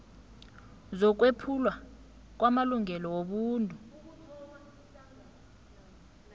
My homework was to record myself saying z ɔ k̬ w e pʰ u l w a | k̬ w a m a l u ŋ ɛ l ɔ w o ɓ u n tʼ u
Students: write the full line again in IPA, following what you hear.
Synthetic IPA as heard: z ɔ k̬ w e pʰ u l w a | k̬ w a m a l u ŋ ɛ l ɔ w o ɓ uː n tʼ u